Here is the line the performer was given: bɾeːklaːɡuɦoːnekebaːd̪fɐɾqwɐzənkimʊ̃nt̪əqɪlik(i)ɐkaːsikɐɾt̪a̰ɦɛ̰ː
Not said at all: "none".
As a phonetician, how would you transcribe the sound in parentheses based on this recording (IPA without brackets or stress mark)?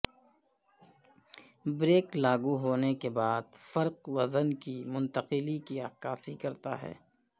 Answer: i